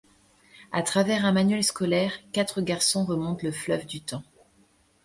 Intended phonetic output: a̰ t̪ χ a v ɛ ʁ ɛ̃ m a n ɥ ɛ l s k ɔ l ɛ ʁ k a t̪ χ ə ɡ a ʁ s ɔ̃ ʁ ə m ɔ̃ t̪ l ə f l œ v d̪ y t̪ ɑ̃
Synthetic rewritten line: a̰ t̪ χ a v ɛ ʁ ɛ̃ m a n ɥ ɛ l s k ɔ l ɛ ʁ k a t̪ χ ə ɡ a ʁ s ɔ̃ ʁ ə m ɔ̃ t̪ l ə f l œ v d̪ y t̪ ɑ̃